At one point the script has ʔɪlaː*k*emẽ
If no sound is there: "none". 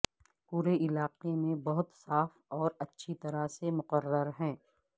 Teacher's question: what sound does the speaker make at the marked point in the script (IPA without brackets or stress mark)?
q